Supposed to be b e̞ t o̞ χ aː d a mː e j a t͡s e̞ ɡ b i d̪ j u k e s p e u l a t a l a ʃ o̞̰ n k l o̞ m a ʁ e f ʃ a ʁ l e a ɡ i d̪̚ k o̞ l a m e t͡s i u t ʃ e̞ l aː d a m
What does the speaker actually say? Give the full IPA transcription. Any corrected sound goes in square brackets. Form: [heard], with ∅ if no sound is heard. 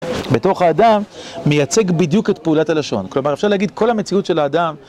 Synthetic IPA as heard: b e̞ t o̞ χ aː d a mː e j a t͡s e̞ ɡ b i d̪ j u k e [t] p e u l a t a l a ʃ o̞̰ n k l o̞ m a ʁ e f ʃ a ʁ l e a ɡ i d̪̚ k o̞ l a m e t͡s i u t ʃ e̞ l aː d a m